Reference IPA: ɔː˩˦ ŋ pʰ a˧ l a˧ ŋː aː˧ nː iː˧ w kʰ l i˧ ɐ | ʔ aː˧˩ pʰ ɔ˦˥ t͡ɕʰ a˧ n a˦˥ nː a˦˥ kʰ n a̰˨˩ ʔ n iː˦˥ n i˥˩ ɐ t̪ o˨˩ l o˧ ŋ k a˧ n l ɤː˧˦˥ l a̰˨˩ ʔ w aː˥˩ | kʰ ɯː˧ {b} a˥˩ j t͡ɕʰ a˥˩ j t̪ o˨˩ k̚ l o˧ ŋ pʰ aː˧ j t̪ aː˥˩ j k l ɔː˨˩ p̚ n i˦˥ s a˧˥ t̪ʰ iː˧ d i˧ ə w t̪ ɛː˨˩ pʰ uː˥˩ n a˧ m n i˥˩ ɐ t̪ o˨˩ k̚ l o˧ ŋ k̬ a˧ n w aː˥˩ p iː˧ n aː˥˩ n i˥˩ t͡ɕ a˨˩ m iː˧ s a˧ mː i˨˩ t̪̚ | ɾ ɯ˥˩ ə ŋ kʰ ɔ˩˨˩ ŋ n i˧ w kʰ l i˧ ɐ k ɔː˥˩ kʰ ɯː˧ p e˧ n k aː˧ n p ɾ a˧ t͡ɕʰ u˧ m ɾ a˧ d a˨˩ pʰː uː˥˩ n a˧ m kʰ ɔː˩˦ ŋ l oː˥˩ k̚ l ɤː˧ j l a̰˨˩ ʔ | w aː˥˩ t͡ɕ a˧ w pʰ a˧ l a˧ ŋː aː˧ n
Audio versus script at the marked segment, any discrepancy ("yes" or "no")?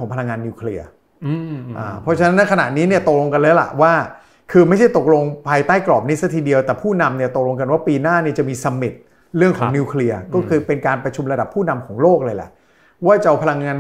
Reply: yes